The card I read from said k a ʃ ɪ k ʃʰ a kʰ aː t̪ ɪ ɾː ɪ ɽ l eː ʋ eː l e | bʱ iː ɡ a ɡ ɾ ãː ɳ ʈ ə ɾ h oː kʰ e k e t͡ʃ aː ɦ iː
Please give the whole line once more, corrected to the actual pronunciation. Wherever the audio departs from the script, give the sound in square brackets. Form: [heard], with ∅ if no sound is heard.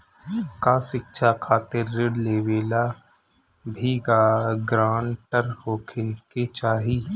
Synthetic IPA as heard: k a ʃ ɪ k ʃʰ a kʰ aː t̪ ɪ ɾː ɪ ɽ l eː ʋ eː l [a] | bʱ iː ɡ a ɡ ɾ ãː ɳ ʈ ə ɾ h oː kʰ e k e t͡ʃ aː ɦ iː